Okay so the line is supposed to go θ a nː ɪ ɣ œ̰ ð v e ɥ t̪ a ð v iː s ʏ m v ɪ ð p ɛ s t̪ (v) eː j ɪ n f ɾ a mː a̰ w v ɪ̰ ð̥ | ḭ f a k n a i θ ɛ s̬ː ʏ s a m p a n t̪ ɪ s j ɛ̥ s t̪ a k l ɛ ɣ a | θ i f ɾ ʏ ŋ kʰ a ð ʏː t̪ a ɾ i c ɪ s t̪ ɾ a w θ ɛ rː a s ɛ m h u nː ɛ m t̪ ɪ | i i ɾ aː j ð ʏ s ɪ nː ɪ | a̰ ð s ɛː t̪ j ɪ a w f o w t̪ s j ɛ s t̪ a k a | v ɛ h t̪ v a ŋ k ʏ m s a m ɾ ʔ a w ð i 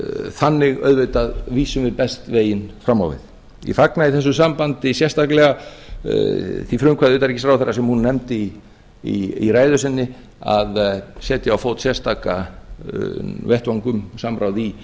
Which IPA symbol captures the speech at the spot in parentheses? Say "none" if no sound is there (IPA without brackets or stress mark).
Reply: v